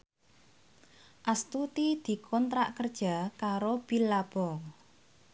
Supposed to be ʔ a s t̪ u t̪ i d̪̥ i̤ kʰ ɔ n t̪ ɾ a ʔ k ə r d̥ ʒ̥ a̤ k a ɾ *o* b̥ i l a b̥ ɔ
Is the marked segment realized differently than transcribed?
no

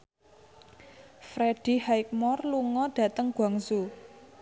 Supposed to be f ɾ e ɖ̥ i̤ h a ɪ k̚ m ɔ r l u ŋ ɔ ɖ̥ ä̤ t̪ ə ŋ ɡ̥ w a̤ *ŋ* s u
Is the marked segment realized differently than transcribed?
no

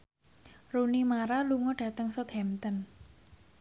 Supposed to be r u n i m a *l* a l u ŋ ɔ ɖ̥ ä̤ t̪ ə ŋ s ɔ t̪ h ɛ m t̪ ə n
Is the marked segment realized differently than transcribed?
yes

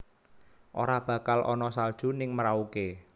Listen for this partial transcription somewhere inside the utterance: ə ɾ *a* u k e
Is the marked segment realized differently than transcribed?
no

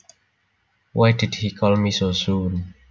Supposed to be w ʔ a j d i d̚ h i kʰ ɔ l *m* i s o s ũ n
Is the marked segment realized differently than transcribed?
no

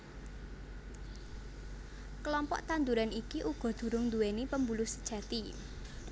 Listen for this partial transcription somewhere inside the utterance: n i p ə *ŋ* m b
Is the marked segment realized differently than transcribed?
yes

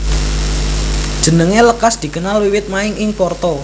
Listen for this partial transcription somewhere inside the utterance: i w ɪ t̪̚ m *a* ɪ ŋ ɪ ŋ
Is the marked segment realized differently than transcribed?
no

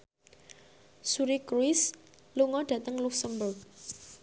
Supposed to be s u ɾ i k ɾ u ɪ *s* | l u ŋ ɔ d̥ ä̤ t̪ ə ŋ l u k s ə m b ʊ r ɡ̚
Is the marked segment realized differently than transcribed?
no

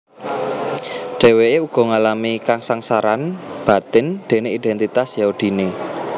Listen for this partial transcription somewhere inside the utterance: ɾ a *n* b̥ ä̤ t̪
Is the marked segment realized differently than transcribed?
no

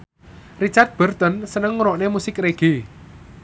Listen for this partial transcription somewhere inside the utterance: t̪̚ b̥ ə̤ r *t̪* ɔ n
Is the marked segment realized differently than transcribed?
no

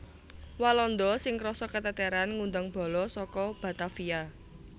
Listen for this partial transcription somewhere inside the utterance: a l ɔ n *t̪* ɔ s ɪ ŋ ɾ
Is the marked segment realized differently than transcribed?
yes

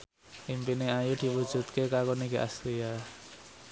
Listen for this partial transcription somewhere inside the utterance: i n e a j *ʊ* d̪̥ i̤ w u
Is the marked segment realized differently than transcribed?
yes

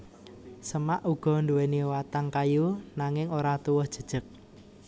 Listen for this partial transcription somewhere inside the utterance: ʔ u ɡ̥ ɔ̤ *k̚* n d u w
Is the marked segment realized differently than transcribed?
yes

